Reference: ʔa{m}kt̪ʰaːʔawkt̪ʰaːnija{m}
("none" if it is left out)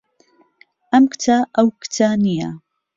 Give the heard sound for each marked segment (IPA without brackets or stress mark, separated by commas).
m, none